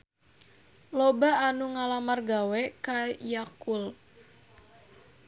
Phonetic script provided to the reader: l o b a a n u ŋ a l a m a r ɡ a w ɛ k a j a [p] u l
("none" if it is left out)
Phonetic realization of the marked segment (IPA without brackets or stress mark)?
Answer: k